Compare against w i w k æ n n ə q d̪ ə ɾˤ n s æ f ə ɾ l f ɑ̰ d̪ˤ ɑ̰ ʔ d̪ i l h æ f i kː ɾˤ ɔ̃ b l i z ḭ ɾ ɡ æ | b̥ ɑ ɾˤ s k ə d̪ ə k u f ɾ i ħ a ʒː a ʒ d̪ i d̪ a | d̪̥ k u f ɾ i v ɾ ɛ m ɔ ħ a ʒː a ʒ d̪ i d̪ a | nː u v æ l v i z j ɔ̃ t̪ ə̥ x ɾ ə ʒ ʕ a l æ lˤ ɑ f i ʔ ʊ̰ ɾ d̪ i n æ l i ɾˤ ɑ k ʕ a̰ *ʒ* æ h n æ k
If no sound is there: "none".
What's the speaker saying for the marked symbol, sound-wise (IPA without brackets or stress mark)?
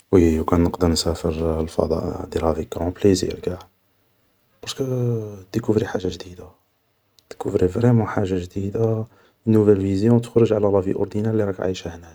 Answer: ʃ